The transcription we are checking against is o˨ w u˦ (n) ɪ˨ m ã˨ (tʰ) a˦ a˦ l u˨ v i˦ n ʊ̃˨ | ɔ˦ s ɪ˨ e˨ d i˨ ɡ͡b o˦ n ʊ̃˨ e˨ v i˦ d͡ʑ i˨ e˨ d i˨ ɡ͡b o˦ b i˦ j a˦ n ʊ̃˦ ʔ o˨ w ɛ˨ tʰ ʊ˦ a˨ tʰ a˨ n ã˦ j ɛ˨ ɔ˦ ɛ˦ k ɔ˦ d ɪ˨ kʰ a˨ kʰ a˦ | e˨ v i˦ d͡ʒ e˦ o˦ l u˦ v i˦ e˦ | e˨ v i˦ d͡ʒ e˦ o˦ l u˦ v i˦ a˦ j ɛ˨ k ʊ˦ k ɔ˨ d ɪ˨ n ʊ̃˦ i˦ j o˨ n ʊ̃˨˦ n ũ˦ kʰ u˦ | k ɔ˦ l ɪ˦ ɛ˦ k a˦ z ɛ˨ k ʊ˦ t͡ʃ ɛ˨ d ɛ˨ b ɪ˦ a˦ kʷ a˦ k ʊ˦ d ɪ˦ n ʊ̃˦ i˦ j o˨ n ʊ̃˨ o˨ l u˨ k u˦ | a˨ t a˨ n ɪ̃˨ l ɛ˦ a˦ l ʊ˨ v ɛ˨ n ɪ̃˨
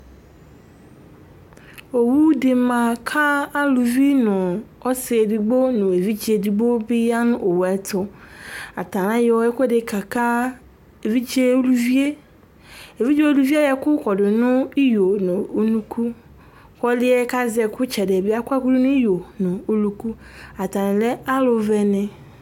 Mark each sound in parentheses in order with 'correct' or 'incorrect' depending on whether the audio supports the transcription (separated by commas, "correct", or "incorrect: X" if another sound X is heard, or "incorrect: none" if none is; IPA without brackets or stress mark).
incorrect: d, incorrect: kʰ